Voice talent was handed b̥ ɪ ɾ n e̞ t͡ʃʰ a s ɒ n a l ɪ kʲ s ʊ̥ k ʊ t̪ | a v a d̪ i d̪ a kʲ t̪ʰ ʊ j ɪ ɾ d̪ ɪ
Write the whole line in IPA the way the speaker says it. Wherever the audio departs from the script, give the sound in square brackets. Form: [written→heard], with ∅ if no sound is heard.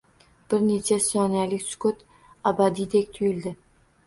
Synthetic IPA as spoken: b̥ ɪ ɾ n e̞ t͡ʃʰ a s ɒ n a l ɪ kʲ s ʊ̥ k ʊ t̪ | a [v→b] a d̪ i d̪ [a→e] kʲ t̪ʰ ʊ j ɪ [ɾ→l] d̪ ɪ